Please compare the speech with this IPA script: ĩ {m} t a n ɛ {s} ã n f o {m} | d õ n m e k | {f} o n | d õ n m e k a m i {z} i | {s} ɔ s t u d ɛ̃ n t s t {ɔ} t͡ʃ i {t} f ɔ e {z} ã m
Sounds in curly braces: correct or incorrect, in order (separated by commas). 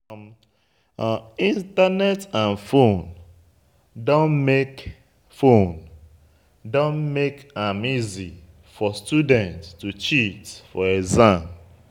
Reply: incorrect, incorrect, incorrect, correct, correct, incorrect, incorrect, correct, correct